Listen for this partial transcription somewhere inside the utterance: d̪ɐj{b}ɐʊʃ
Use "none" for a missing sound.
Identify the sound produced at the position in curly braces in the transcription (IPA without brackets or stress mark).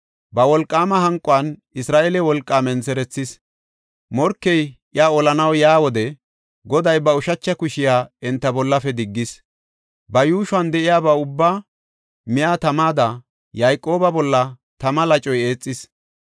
b